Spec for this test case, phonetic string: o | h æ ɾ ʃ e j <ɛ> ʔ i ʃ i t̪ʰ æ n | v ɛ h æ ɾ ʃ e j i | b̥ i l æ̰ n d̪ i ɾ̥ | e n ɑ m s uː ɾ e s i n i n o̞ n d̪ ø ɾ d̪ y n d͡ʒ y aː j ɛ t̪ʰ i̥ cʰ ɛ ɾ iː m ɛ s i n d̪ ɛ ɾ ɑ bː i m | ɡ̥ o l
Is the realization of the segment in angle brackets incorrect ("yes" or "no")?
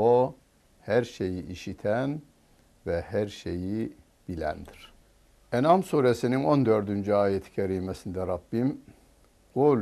yes